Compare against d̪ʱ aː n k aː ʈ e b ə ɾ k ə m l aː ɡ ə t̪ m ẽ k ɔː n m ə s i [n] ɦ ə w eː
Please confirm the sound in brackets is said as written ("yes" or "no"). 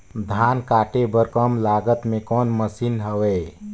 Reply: yes